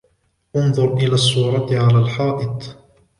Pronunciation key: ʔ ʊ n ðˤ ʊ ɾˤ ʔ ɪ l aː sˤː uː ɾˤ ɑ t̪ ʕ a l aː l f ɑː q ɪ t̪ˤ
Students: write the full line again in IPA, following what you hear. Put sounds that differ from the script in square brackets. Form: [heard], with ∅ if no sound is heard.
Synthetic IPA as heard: ʔ ʊ n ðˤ ʊ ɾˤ ʔ ɪ l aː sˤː uː ɾˤ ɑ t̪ ʕ a l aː l [ħ] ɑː [ʔ] ɪ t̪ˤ